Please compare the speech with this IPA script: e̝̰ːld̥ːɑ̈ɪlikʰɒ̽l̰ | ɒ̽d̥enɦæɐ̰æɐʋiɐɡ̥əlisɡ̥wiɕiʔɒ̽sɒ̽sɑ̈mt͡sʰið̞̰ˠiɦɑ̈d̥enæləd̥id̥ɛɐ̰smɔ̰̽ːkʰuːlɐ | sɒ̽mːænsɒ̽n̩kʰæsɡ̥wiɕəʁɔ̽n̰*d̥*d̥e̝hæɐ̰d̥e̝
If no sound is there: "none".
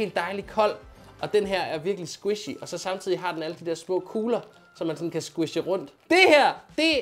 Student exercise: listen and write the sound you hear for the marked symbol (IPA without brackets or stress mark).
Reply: d̥